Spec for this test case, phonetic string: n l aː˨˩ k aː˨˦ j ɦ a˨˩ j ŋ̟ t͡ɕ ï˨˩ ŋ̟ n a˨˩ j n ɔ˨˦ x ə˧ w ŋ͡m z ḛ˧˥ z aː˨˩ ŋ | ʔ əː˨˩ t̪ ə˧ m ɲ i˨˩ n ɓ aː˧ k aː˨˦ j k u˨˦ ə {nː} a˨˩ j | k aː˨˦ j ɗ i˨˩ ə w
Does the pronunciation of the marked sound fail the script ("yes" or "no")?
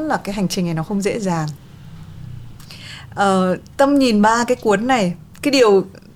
no